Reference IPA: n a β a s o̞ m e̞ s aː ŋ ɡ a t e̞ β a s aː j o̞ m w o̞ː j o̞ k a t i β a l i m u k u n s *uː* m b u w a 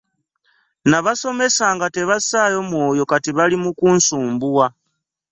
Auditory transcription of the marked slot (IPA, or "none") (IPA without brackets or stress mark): uː